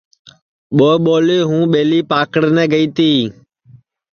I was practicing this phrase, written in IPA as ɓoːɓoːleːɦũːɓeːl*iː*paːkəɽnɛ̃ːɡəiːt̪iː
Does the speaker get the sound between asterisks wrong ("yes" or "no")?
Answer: no